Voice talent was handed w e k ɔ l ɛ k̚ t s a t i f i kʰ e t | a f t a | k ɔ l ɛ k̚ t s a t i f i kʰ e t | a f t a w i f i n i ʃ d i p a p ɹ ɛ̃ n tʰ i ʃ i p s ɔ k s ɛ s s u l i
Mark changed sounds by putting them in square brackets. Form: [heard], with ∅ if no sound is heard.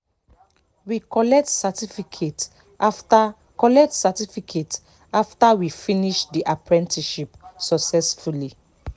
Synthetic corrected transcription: w [i] k ɔ l ɛ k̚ t s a t i f i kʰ e t | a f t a | k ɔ l ɛ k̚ t s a t i f i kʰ e t | a f t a w i f i n i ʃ d i [ʔ] a p ɹ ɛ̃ n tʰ i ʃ i p s ɔ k s ɛ s [f] u l i